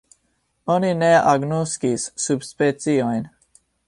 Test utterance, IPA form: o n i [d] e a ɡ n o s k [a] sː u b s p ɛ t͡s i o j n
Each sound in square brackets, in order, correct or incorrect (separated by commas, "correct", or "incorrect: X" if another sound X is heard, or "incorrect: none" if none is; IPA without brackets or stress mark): incorrect: n, incorrect: i